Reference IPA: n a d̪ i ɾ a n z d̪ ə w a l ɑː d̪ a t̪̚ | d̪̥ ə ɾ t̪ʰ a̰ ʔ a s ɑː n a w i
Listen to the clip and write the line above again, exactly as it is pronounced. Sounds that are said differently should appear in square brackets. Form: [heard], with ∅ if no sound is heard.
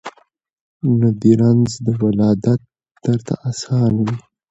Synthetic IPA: n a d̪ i ɾ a n z d̪ ə w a l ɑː d̪ a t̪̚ | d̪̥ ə ɾ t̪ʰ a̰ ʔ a s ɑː n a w i